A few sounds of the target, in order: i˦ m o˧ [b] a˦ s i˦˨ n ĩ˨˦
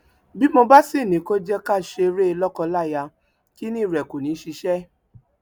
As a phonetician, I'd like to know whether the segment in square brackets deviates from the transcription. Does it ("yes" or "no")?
no